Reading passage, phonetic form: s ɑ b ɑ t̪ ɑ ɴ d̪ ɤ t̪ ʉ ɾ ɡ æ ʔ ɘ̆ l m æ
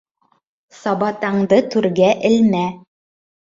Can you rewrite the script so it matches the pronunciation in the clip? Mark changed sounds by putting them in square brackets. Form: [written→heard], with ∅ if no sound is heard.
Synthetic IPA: s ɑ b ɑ t̪ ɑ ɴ d̪ ɤ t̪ ʉ ɾ ɡ æ ʔ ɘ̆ l m æ